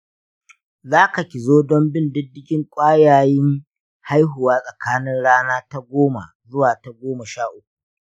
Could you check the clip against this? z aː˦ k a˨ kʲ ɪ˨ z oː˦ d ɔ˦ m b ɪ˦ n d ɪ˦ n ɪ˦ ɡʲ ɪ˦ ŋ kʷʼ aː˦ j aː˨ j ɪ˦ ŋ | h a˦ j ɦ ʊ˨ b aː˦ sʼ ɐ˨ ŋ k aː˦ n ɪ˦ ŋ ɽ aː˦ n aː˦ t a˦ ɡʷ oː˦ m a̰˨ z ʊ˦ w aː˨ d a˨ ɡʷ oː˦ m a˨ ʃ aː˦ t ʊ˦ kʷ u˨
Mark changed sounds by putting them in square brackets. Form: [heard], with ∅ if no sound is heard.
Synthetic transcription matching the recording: z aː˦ k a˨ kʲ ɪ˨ z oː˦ d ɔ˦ m b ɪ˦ n d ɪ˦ [d] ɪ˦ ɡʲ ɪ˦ ŋ kʷʼ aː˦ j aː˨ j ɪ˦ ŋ | h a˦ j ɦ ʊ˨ [w] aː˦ sʼ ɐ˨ [∅] k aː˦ n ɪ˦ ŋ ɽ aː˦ n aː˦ t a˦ ɡʷ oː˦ m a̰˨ z ʊ˦ w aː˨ [t] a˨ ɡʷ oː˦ m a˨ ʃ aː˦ [ʔ] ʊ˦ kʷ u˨